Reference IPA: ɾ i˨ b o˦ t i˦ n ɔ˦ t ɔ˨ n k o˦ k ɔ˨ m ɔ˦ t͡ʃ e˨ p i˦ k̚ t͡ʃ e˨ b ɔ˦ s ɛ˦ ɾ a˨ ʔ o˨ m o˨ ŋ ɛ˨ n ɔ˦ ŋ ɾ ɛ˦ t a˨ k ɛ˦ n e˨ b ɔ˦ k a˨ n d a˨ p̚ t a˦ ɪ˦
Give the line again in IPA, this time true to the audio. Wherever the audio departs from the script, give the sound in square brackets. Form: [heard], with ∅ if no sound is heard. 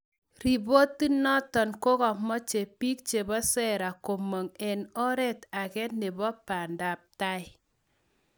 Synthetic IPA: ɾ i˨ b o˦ t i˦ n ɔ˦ t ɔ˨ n k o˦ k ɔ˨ m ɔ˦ t͡ʃ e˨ p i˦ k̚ t͡ʃ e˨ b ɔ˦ s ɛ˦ ɾ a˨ [k] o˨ m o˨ ŋ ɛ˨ n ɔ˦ [∅] ɾ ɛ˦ t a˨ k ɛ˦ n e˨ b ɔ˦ [p] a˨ n d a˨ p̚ t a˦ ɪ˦